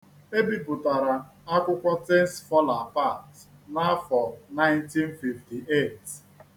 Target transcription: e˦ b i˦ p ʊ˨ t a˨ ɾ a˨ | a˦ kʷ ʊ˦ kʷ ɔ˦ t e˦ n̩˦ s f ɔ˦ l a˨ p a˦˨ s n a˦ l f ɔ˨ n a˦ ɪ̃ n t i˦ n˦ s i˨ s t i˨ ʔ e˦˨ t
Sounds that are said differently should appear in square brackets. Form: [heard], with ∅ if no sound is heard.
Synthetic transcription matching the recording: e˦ b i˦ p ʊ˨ t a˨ ɾ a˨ | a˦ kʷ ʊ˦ kʷ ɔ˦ t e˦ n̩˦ s f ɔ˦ l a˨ p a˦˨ [t] n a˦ [∅] f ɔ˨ n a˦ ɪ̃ n t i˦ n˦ [f] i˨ [f] t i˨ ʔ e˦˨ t